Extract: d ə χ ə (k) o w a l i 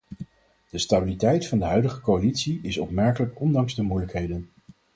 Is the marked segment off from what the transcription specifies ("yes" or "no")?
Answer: no